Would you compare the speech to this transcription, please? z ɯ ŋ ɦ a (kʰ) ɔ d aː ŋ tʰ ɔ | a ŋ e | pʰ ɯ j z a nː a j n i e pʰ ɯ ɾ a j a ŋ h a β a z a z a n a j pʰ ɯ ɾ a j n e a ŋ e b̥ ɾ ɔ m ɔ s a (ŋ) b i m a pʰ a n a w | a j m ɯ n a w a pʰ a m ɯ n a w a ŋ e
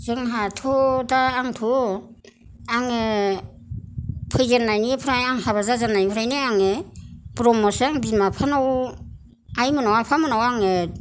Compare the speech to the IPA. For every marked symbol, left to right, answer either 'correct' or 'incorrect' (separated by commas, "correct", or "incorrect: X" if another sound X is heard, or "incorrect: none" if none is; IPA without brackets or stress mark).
incorrect: tʰ, correct